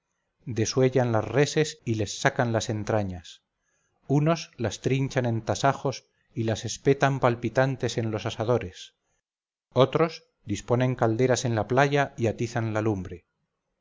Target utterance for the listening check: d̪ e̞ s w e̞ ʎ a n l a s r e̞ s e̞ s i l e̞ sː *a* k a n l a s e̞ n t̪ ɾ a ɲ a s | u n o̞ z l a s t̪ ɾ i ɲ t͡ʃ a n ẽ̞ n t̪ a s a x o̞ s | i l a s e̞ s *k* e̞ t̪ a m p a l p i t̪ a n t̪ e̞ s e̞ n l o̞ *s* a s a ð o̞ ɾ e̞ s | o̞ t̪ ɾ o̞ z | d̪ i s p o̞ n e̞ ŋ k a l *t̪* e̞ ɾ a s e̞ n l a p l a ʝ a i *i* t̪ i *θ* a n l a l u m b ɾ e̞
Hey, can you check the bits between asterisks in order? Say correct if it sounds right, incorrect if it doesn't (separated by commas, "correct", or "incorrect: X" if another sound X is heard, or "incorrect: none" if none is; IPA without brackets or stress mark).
correct, incorrect: p, correct, incorrect: d̪, incorrect: a, correct